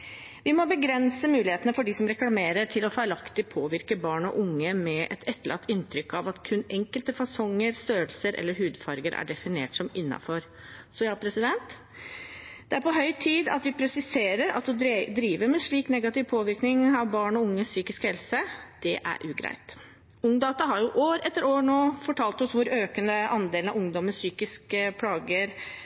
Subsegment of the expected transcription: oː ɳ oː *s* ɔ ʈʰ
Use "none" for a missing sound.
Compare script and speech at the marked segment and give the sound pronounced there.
f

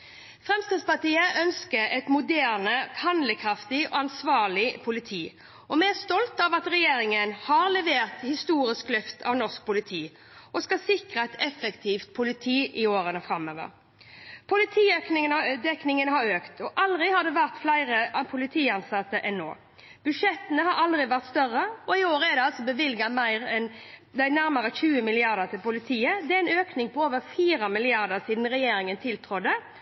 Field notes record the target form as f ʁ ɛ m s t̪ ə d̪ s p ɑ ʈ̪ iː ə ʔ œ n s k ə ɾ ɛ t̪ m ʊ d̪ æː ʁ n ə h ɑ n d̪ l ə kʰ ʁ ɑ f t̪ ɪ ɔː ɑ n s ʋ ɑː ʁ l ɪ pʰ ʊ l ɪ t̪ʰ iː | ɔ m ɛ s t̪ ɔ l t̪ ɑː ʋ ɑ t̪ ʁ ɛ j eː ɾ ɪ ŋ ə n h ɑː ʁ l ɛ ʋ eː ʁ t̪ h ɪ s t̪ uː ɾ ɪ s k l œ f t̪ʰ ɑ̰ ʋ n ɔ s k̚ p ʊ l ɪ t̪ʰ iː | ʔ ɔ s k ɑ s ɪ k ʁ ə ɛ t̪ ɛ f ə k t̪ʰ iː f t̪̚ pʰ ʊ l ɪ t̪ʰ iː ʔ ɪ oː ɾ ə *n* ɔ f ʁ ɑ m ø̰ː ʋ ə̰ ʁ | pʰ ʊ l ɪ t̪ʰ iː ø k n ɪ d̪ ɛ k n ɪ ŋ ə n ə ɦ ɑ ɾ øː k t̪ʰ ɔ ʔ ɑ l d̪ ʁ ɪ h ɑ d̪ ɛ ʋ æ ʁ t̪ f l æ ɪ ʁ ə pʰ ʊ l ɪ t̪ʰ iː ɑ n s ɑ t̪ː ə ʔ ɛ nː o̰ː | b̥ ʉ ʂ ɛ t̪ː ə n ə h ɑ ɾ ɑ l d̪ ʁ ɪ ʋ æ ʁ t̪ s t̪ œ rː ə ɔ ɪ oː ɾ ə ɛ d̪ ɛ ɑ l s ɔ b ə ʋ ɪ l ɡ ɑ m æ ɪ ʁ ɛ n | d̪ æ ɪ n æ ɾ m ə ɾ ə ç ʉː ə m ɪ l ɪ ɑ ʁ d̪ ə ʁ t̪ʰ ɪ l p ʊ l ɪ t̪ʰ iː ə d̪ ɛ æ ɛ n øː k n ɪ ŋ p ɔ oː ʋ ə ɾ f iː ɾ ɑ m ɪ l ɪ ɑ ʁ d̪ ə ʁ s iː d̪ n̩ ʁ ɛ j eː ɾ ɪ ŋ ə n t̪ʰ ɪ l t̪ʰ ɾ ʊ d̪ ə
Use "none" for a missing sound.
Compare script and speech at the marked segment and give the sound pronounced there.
n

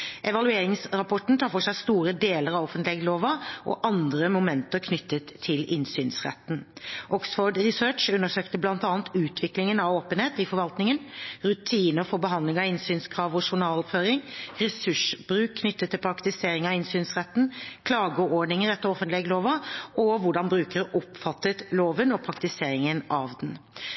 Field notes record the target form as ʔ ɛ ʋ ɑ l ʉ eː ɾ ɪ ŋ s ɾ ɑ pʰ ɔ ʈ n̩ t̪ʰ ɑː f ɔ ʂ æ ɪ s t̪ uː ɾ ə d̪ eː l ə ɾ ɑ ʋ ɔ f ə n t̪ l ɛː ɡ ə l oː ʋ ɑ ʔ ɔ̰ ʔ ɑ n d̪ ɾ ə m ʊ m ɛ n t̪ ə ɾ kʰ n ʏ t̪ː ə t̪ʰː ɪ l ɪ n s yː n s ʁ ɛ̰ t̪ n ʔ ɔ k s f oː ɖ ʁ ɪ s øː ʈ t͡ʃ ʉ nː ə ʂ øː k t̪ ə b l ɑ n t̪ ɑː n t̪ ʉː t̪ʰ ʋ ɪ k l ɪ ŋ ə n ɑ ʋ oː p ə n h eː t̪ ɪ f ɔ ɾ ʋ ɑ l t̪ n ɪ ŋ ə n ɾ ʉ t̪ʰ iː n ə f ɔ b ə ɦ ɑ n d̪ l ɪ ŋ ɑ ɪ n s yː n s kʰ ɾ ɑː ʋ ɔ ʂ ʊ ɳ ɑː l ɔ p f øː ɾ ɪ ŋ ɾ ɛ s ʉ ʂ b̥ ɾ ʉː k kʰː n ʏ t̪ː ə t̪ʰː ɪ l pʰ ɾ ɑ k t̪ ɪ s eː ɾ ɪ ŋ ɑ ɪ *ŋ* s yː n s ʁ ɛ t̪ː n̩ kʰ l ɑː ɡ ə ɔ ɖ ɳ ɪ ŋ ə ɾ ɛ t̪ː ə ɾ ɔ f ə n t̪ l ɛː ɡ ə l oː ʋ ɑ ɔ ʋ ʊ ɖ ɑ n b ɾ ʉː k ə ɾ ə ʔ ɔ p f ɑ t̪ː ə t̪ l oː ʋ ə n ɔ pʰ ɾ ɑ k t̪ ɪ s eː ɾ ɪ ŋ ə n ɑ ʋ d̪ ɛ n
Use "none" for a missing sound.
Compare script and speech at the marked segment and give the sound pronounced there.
n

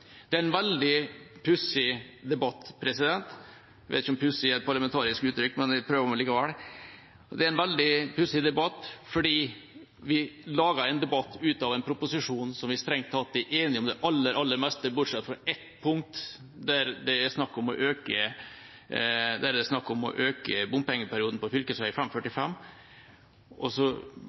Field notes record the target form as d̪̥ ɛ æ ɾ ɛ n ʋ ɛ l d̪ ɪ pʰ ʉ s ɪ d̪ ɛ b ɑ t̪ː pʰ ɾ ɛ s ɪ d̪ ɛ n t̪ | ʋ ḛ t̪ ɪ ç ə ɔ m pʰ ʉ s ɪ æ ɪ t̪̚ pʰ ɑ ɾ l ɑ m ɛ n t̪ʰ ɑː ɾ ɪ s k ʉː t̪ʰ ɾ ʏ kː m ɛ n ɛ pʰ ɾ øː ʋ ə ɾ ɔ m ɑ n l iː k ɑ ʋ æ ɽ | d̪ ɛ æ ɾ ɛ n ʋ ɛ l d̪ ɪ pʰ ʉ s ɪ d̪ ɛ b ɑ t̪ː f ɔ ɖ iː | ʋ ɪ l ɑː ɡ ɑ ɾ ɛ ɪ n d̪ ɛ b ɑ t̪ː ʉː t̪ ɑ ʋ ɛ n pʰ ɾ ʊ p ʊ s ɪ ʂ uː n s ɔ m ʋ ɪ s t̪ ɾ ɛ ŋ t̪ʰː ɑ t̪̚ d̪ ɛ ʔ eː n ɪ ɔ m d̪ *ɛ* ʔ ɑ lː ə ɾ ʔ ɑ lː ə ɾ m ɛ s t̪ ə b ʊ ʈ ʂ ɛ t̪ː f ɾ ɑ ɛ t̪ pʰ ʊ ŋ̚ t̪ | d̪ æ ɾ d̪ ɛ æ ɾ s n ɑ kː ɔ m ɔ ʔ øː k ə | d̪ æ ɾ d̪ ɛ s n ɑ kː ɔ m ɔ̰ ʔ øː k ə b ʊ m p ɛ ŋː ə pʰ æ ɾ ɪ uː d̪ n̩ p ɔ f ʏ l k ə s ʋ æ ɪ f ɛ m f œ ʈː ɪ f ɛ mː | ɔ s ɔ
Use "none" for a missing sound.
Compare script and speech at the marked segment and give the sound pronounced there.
ɛ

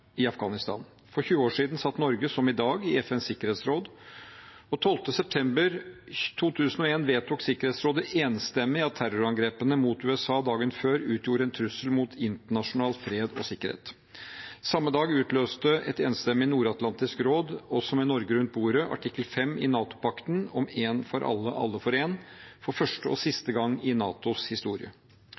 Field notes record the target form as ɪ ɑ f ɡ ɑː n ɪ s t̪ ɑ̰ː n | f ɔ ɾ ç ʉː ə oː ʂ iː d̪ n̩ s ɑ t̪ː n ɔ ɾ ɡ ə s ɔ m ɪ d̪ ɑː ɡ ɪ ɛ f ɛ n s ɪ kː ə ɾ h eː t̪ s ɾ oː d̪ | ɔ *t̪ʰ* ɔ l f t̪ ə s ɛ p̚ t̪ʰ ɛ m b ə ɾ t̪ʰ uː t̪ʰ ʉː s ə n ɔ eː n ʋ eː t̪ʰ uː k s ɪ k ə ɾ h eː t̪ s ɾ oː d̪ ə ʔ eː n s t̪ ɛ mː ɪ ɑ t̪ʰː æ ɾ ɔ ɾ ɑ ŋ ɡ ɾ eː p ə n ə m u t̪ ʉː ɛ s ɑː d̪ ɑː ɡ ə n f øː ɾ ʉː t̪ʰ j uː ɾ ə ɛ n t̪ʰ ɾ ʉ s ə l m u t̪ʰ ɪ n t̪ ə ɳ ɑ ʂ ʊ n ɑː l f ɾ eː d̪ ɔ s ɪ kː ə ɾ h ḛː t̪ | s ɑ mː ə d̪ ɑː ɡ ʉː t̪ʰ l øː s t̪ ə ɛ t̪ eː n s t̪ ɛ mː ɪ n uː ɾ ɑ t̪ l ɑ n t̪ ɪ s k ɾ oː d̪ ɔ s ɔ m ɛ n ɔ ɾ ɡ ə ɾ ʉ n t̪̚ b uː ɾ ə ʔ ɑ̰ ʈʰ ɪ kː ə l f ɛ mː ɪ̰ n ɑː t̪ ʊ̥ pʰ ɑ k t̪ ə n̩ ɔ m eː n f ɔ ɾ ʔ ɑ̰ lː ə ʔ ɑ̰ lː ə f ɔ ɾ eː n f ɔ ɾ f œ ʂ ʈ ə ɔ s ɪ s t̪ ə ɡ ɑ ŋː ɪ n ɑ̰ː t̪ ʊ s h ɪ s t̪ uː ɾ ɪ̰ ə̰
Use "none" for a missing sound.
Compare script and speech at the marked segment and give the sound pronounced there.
t̪ʰ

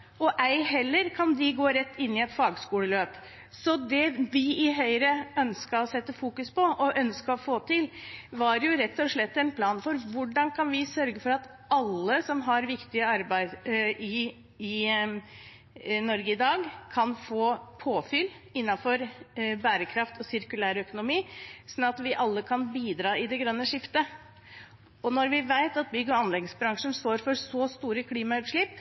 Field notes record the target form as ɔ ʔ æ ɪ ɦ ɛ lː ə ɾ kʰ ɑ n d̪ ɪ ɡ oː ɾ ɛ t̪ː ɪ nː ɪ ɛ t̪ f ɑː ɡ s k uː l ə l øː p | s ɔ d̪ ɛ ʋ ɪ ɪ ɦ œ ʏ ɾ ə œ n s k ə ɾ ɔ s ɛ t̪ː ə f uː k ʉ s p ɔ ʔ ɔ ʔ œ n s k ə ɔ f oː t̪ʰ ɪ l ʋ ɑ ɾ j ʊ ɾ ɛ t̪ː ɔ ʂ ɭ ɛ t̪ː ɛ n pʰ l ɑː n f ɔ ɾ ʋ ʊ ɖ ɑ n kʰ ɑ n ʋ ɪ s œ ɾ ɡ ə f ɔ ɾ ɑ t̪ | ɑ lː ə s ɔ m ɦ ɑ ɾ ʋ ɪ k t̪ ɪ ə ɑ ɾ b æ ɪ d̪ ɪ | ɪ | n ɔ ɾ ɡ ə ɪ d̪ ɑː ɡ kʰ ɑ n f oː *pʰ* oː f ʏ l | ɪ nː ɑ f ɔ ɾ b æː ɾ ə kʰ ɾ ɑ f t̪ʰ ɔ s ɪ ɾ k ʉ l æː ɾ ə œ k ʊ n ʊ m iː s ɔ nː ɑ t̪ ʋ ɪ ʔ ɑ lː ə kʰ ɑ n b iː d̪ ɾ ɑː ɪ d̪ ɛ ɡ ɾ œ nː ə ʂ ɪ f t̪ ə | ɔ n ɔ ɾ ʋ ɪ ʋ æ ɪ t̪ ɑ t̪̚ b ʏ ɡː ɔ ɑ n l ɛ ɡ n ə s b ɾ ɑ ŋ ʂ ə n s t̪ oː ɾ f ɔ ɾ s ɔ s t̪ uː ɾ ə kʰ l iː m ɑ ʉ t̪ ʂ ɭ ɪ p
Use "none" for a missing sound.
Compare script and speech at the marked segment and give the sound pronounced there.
pʰ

